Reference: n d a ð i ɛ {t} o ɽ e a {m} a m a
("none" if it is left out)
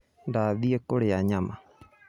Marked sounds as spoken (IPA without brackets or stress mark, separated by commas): k, ɲ